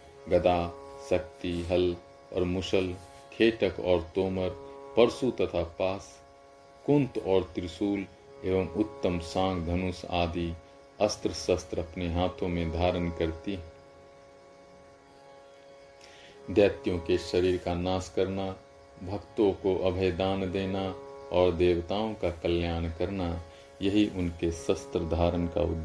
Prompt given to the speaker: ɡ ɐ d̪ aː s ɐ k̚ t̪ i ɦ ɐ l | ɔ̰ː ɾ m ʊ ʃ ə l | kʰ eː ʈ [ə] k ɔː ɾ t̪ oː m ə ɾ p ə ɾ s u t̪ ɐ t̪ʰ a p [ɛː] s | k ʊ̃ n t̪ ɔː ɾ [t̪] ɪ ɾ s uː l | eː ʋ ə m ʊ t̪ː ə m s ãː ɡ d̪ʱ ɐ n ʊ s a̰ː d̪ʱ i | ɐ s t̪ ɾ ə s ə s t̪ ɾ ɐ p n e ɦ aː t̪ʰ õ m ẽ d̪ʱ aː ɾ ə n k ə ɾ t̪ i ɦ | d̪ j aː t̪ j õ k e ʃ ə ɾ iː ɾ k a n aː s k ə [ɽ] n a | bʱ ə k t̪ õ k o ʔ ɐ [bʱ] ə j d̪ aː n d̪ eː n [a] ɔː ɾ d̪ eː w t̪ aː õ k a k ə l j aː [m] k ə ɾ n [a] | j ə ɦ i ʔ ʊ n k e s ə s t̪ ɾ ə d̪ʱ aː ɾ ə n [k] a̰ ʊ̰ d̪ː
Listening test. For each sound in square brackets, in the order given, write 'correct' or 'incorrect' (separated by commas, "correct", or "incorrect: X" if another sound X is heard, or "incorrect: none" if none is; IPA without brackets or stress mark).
correct, incorrect: aː, correct, incorrect: ɾ, correct, correct, incorrect: n, correct, correct